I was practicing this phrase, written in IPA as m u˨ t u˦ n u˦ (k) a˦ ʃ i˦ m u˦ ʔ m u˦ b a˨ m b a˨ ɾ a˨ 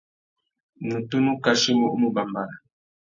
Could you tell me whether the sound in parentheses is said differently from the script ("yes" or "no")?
no